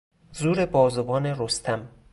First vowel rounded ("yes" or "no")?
yes